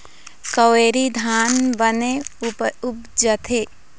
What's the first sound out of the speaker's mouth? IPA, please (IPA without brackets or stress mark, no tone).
k